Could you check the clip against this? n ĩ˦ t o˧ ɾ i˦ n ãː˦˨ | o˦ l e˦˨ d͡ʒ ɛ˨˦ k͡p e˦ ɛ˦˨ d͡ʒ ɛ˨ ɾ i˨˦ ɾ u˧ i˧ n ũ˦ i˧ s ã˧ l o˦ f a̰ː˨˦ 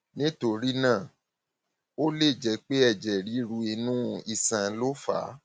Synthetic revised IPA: n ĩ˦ t o˧ ɾ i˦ n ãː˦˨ | o˦ l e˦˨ d͡ʒ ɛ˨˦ k͡p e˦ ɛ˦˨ d͡ʒ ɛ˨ ɾ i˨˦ ɾ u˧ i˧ n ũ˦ i˧ s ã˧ l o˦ f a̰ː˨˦